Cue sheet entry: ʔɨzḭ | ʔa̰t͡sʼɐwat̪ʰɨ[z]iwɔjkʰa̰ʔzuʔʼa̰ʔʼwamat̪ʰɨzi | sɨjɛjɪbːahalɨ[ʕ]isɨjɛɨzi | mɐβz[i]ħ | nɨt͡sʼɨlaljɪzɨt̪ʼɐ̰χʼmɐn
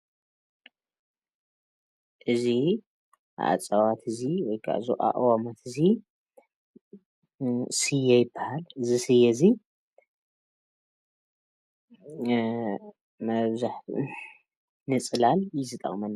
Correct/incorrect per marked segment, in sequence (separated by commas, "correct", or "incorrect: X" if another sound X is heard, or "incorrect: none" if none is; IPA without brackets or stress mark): correct, incorrect: z, incorrect: a